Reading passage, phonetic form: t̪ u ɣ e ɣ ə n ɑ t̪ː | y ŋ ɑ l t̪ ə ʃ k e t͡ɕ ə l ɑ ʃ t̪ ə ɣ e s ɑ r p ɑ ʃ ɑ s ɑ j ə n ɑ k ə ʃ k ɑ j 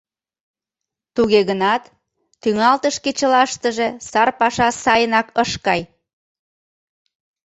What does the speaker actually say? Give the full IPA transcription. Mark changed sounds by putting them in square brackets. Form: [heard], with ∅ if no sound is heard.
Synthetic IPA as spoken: t̪ u ɣ e ɣ ə n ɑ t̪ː | y ŋ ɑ l t̪ ə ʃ k e t͡ɕ ə l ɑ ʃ t̪ ə [ʒ] e s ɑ r p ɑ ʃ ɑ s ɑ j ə n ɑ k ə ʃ k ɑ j